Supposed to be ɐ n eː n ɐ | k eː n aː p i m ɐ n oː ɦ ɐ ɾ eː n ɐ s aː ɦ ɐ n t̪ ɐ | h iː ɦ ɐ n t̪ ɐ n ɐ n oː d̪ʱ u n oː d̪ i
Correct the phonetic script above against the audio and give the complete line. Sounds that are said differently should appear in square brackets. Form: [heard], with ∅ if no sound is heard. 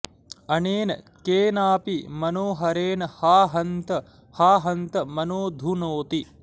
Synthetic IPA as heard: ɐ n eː n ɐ | k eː n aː p i m ɐ n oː ɦ ɐ ɾ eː n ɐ [h] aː ɦ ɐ n t̪ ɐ | h [aː] ɦ ɐ n t̪ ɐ [m] ɐ n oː d̪ʱ u n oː [t̪] i